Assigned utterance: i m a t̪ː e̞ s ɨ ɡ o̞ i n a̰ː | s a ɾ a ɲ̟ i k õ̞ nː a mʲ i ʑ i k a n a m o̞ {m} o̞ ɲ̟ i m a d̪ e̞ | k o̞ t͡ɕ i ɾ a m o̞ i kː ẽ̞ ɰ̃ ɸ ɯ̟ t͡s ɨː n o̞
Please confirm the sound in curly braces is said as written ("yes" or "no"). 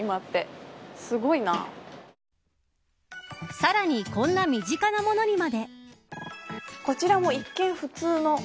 no